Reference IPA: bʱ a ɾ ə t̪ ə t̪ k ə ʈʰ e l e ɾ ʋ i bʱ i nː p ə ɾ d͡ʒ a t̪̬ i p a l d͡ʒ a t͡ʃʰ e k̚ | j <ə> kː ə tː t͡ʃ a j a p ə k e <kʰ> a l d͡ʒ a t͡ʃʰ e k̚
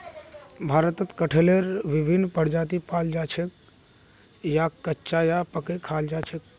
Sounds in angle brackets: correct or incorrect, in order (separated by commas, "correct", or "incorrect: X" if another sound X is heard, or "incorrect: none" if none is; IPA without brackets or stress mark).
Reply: incorrect: a, correct